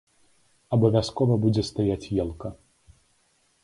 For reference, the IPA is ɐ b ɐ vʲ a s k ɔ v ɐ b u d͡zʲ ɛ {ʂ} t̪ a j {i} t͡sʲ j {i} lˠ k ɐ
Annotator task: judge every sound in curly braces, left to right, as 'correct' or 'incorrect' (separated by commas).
incorrect, incorrect, incorrect